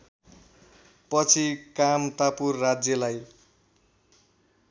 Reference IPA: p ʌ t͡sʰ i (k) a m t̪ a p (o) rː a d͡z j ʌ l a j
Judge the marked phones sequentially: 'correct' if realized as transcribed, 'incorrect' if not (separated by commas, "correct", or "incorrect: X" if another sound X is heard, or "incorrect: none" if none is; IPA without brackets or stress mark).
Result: correct, incorrect: u